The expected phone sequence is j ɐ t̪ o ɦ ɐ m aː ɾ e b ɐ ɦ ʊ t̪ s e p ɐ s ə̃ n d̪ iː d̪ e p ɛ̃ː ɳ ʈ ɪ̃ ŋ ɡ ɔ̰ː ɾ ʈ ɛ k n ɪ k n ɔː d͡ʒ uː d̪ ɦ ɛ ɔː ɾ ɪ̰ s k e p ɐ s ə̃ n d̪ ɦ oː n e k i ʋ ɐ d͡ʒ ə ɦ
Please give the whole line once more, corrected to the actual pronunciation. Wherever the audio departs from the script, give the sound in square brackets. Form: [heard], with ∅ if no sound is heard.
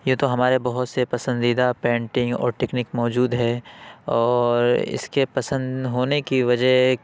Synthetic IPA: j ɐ t̪ o ɦ ɐ m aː ɾ e b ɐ ɦ ʊ t̪ s e p ɐ s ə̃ n d̪ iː d̪ [a] p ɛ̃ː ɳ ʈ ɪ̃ ŋ ɡ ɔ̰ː ɾ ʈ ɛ k n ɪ k [m] ɔː d͡ʒ uː d̪ ɦ ɛ ɔː ɾ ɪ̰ s k e p ɐ s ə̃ n d̪ ɦ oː n e k i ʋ ɐ d͡ʒ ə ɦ